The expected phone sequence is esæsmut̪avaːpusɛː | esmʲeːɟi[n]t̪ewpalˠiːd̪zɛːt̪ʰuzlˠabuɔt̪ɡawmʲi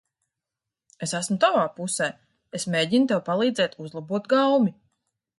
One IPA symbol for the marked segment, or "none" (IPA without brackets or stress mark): n